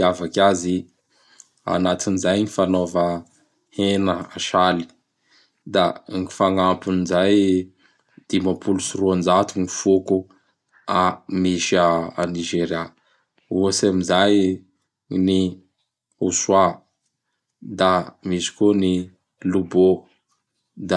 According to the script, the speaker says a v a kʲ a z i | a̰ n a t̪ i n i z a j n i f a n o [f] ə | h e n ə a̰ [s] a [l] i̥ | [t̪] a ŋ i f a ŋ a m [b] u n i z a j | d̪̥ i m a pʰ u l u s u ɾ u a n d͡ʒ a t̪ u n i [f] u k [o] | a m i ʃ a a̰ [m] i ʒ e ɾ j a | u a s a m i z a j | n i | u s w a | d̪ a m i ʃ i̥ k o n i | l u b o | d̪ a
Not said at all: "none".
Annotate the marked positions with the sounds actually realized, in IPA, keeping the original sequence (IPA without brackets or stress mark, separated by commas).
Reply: v, ʃ, l, d̪, p, f, u, n